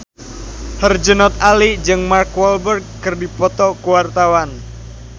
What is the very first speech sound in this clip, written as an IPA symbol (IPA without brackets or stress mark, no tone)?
h